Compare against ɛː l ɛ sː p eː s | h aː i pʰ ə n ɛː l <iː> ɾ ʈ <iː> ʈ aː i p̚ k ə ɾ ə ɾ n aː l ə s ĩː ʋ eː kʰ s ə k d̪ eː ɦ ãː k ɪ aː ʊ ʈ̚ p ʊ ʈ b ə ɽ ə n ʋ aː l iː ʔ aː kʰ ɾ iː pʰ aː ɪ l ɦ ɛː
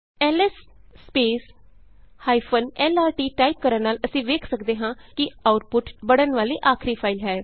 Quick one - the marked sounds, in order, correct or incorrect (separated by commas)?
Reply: incorrect, correct